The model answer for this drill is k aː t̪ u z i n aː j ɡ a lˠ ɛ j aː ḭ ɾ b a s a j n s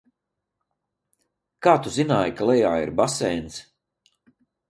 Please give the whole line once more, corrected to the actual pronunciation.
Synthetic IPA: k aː t̪ u z i n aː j k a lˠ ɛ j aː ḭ ɾ b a s ɛ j n s